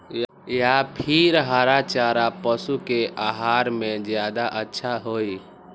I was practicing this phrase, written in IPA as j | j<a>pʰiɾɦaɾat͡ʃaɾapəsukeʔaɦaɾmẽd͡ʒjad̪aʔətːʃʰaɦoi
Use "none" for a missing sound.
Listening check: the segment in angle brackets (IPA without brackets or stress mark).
a